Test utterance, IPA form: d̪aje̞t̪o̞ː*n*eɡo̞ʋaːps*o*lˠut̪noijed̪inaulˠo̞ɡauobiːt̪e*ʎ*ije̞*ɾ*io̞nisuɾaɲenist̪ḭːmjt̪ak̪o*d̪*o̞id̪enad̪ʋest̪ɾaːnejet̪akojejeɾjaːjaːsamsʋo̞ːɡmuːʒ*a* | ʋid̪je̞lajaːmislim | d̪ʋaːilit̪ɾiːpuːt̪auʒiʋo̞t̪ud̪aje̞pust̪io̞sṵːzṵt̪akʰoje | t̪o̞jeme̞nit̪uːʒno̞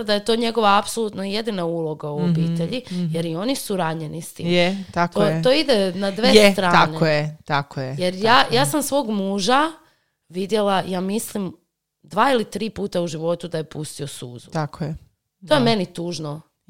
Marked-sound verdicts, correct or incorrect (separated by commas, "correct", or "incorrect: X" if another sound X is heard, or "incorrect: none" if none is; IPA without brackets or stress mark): incorrect: ɲ, correct, correct, correct, incorrect: t̪, correct